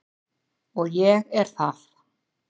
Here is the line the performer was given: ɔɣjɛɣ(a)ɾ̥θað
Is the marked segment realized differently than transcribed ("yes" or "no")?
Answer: yes